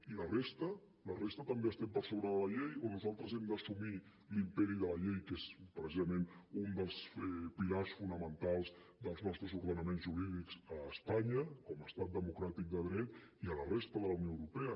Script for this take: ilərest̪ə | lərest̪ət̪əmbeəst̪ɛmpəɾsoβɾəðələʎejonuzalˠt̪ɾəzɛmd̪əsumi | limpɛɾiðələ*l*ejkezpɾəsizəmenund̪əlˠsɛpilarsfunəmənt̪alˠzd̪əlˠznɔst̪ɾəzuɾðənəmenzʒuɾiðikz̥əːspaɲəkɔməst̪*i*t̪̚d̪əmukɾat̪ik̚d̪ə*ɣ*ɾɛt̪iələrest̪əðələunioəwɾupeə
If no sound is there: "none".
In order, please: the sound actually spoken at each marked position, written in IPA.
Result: ʎ, a, ð

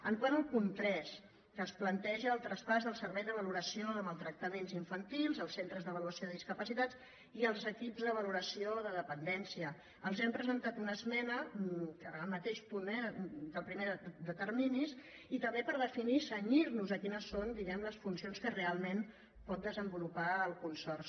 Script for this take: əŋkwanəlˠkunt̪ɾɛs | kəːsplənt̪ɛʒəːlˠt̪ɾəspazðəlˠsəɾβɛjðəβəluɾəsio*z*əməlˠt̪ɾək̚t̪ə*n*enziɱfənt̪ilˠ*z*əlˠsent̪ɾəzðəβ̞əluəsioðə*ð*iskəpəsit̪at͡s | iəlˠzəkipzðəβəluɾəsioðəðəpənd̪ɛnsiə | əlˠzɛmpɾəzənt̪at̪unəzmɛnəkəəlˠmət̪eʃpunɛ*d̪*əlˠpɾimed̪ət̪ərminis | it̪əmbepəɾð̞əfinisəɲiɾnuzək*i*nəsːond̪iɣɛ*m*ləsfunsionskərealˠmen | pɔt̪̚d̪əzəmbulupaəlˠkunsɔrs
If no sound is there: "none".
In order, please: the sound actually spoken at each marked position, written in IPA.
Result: ð, m, z, ð, d̪, i, m

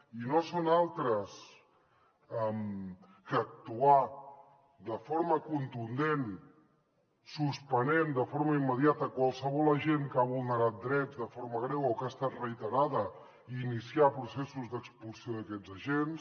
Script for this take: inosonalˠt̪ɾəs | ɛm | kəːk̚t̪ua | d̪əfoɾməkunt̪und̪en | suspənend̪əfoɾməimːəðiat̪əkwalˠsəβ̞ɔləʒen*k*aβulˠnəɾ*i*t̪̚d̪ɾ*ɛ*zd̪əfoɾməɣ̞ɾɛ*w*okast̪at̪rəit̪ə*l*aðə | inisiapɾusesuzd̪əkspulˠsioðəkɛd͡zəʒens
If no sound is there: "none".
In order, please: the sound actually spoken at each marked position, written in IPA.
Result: k, a, ɛ, w, ɾ

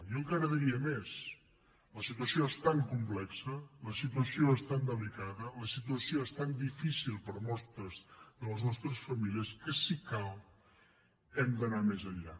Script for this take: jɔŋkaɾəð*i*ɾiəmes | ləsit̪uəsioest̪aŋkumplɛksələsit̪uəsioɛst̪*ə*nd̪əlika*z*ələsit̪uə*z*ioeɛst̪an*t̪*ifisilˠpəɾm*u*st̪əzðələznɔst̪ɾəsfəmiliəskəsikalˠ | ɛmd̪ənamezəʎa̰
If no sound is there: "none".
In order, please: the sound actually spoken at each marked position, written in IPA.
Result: i, a, ð, s, d̪, ɔ

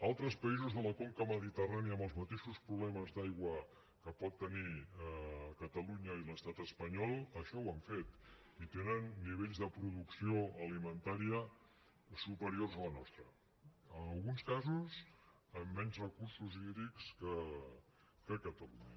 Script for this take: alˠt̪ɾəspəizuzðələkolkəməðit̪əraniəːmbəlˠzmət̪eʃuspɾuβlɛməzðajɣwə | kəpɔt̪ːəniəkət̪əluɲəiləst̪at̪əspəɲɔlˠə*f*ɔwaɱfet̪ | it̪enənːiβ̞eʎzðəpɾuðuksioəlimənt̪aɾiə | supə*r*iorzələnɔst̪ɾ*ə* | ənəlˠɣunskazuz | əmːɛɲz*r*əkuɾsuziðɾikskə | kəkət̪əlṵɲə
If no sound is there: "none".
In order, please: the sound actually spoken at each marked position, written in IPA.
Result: ʃ, ɾ, ə, r

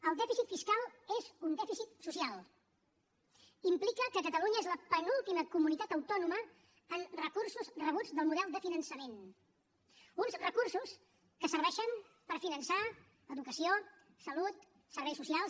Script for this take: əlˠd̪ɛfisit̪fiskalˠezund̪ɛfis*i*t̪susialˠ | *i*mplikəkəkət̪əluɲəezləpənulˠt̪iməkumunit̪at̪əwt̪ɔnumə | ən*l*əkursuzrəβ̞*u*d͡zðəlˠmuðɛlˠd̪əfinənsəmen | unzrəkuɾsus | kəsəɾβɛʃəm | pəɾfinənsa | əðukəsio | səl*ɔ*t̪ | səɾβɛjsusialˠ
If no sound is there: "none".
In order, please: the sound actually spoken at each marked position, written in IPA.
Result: i, i, r, u, u

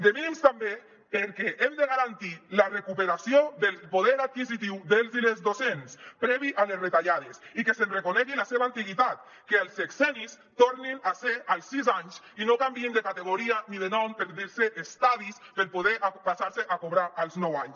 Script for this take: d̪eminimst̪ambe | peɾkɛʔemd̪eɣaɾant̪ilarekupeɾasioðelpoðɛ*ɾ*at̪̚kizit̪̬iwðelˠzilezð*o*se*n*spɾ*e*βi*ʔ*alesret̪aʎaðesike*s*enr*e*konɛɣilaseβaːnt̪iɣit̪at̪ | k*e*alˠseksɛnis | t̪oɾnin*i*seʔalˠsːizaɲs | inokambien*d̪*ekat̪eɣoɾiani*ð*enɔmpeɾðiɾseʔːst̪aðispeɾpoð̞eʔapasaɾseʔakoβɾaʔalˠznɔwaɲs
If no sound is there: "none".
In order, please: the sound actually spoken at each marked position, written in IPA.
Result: ɾ, o, n, ɛ, ʔ, s, e, e, a, d̪, ð

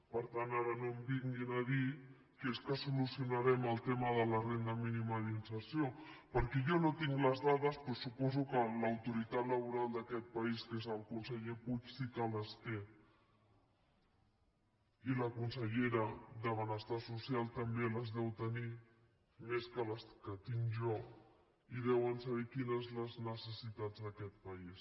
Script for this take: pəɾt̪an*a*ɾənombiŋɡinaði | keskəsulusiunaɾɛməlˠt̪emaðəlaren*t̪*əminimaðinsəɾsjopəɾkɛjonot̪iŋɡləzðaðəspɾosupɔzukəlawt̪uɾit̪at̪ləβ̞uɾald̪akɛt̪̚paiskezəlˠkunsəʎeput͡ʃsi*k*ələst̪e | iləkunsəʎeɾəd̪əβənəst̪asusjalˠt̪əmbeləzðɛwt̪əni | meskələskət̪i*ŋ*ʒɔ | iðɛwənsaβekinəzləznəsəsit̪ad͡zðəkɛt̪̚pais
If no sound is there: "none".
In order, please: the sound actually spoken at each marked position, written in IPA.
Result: a, d̪, k, ŋ

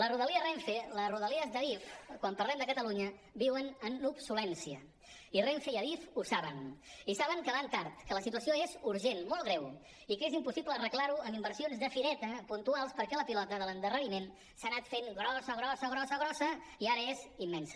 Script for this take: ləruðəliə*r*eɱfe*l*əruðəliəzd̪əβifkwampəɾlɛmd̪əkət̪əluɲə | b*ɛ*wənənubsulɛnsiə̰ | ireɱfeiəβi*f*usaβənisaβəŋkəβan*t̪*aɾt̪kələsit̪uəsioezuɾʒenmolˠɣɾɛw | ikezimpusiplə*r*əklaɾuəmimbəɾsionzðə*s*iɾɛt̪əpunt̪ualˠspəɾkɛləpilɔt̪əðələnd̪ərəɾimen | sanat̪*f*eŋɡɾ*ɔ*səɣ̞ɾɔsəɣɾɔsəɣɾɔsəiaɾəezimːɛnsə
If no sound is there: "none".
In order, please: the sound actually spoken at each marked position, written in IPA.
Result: r, l, i, f, t̪, r, f, f, ɔ

